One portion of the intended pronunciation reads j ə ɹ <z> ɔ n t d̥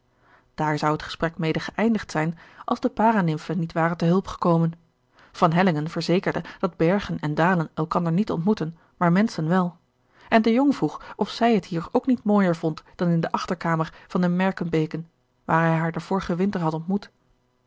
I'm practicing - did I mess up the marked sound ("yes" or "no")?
yes